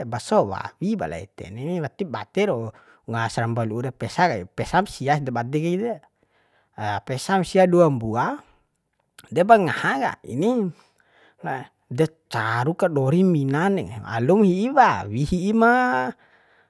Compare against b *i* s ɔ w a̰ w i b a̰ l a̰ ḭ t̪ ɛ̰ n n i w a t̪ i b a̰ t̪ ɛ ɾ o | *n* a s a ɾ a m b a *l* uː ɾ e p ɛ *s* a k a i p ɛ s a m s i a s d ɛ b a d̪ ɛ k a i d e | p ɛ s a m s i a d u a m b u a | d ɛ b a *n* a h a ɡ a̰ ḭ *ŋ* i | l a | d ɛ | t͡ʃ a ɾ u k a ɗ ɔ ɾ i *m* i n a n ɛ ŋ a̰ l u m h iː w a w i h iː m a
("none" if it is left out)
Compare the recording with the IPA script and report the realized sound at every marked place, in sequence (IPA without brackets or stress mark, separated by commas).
a, ŋ, l, s, ŋ, n, m